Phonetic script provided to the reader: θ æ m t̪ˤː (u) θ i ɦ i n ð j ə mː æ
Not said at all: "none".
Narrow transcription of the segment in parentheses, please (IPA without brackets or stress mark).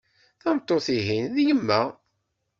o